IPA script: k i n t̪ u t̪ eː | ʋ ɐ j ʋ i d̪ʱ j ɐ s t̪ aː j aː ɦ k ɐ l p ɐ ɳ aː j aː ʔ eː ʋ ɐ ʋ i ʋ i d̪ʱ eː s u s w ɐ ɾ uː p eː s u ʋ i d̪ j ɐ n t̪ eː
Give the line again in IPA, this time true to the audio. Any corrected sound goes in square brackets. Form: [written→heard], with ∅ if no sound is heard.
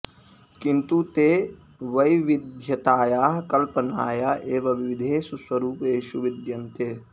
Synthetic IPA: k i n t̪ u t̪ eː | ʋ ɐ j ʋ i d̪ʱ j ɐ [s→∅] t̪ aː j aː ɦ k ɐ l p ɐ [ɳ→n] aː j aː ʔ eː ʋ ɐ ʋ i ʋ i d̪ʱ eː s u s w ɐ ɾ uː p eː [s→ʃ] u ʋ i d̪ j ɐ n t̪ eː